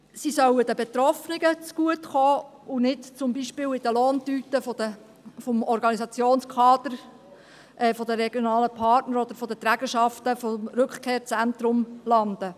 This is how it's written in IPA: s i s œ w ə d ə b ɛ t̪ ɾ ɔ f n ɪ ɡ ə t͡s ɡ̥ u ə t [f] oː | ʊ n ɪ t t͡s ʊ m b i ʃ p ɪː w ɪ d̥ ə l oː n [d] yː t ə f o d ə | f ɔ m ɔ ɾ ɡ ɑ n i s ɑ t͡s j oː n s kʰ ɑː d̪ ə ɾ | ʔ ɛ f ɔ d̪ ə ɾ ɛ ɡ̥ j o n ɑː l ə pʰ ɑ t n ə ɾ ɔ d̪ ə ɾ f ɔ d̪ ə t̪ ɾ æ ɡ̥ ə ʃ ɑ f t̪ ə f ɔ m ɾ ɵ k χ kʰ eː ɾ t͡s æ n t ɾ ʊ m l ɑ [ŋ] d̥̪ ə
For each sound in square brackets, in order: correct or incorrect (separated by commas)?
incorrect, incorrect, incorrect